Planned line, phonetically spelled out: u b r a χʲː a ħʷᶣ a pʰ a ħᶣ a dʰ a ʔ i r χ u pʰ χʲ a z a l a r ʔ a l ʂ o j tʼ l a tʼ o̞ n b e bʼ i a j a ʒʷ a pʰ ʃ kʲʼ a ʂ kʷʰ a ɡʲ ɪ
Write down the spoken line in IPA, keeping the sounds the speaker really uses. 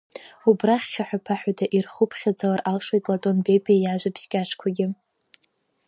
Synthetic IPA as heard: u b r a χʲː a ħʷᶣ a pʰ a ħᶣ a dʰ a ʔ i r χ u pʰ χʲ a d͡z a l a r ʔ a l ʂ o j tʼ l a tʼ o̞ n b e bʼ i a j a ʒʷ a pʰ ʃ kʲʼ a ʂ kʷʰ a ɡʲ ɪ

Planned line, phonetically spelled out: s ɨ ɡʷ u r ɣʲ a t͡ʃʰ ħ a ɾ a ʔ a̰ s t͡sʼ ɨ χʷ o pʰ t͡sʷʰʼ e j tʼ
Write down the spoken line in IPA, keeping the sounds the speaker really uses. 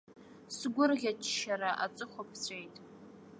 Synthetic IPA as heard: s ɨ ɡʷ ʊ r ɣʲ a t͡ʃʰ ʃ a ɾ a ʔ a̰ t͡sʼ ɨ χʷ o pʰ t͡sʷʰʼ e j tʼ

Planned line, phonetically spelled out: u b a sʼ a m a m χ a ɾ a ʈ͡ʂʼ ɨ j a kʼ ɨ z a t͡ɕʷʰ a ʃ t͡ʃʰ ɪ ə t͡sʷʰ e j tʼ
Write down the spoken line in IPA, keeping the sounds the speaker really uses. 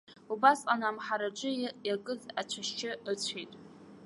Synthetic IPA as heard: u b a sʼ a n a m ħ a ɾ a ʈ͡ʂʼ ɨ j a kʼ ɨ z a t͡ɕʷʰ a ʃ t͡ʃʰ ɪ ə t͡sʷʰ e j tʼ

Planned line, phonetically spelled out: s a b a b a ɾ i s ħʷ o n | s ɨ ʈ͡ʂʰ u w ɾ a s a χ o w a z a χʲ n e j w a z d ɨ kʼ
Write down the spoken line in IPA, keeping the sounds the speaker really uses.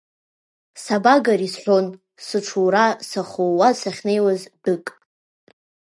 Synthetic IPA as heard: s a b a ɡ a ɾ i s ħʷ o n | s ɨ ʈ͡ʂʰ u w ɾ a s a χ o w a s a χʲ n e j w a z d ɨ kʼ

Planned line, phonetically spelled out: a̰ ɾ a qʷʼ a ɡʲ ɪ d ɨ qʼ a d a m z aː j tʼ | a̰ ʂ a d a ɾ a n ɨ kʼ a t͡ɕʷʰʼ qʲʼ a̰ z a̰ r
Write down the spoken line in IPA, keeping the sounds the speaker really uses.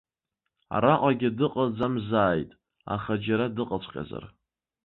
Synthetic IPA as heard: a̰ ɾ a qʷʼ a ɡʲ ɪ d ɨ qʼ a d͡z a m z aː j tʼ | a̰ χ a d͡ʒ a ɾ a d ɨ qʼ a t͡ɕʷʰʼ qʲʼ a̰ z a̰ r

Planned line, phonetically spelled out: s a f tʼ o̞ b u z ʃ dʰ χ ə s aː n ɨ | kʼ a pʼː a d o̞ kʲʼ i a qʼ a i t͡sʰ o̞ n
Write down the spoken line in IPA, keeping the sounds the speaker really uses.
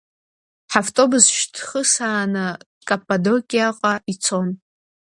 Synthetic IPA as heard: ħ a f tʼ o̞ b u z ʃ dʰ χ ə s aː n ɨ | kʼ a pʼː a d o̞ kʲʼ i a qʼ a i t͡sʰ o̞ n

